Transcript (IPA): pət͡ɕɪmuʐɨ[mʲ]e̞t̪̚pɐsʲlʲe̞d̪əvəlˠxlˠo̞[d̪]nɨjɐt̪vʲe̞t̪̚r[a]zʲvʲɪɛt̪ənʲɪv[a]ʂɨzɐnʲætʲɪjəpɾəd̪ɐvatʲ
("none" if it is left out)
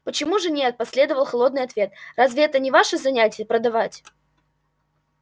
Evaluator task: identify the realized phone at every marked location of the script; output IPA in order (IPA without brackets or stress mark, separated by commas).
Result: nʲ, d̪, a, a